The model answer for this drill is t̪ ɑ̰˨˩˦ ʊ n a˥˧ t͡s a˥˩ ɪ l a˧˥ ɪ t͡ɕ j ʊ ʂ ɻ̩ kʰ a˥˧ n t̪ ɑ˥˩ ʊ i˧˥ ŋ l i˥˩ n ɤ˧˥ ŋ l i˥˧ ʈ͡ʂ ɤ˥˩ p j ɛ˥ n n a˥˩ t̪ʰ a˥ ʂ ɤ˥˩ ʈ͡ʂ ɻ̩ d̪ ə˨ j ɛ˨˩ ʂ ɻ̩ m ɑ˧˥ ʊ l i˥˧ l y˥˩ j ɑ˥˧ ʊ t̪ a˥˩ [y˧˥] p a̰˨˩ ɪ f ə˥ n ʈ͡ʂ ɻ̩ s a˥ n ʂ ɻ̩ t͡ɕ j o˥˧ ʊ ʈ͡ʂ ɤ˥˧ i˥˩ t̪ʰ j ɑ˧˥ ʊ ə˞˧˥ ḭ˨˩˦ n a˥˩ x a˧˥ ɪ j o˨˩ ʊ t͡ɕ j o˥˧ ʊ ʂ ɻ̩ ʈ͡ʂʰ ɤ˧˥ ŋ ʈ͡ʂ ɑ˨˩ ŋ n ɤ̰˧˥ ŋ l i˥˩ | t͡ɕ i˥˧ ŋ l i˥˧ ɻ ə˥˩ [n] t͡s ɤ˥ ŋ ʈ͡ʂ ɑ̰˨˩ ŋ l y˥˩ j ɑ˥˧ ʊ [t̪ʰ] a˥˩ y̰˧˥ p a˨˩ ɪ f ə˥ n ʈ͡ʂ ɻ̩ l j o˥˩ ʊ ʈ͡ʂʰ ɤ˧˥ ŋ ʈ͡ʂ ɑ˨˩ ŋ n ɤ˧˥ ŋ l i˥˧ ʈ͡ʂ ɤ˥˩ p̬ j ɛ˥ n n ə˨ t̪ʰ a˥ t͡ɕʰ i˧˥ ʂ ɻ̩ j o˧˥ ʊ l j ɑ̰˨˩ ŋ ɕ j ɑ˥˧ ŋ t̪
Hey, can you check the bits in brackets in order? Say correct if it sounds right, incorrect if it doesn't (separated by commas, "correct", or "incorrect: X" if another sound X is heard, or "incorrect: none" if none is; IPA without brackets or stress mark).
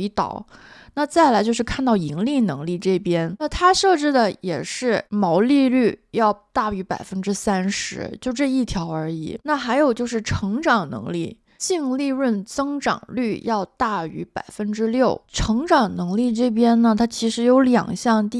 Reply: correct, correct, incorrect: t̪